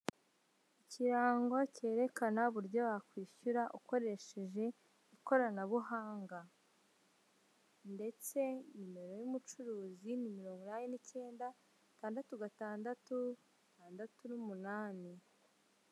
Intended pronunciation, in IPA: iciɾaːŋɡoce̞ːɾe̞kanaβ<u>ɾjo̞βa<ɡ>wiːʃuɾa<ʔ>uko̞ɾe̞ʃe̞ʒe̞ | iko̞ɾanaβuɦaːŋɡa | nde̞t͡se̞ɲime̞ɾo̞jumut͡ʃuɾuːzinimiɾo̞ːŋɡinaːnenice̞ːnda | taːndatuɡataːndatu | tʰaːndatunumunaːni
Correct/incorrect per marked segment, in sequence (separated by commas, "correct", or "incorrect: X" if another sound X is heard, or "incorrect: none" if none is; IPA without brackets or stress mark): correct, incorrect: k, correct